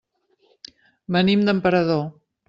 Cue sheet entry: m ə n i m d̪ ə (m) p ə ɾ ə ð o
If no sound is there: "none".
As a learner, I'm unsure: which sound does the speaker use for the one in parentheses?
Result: m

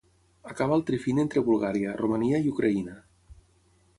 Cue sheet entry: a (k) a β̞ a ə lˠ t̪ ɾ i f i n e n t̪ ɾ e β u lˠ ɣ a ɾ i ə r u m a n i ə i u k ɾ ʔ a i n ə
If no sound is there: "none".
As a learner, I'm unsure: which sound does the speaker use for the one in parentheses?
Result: k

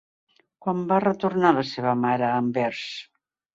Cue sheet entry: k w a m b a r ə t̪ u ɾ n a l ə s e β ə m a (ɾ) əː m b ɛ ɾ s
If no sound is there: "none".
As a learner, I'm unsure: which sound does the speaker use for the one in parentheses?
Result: ɾ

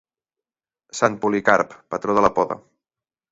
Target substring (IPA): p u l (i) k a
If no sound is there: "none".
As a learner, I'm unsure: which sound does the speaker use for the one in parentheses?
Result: i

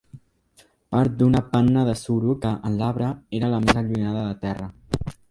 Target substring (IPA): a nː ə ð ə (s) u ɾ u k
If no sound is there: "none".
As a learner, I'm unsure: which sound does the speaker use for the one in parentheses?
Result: s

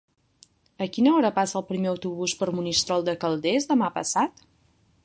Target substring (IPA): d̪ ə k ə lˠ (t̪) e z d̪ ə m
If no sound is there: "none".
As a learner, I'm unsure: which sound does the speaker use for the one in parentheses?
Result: d̪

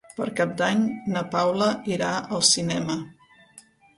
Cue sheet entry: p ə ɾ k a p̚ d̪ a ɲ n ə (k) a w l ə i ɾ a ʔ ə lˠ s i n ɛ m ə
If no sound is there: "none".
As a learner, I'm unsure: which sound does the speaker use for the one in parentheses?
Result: p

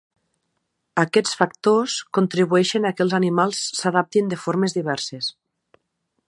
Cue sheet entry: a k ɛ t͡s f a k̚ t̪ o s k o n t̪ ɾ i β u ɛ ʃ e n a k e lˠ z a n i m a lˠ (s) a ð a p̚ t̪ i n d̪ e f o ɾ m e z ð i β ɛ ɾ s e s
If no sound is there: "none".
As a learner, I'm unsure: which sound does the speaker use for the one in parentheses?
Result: sː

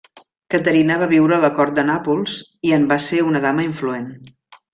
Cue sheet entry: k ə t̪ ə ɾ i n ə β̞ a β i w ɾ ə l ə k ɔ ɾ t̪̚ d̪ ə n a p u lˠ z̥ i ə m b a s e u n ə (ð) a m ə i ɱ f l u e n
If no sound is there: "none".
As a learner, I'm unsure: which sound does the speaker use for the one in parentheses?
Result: ð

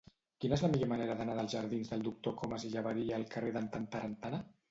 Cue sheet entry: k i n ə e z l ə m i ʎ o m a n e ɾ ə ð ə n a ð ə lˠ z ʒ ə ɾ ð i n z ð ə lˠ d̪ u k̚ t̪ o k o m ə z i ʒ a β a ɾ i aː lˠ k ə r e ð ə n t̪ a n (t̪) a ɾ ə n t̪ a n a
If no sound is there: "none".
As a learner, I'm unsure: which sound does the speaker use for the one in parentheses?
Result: t̪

